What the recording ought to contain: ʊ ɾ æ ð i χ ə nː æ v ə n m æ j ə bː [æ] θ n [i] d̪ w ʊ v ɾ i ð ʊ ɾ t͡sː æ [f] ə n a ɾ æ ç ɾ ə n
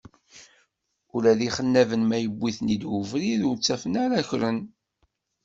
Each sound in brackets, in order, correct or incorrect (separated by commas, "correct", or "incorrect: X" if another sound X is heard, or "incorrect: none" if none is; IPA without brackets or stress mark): incorrect: i, correct, correct